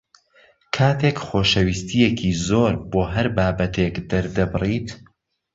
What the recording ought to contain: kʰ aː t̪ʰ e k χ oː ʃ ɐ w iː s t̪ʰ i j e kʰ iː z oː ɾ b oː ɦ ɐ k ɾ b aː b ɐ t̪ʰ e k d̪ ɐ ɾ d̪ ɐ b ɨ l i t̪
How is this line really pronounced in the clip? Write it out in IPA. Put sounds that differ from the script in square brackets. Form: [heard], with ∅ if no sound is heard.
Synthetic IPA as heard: kʰ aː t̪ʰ e k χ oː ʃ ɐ w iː s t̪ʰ i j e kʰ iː z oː ɾ b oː ɦ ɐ [∅] ɾ b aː b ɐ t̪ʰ e k d̪ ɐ ɾ d̪ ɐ b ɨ [r] i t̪